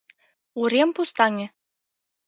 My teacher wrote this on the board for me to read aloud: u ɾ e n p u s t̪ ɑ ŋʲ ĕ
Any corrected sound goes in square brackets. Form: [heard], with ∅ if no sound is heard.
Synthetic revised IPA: u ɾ e [m] p u s t̪ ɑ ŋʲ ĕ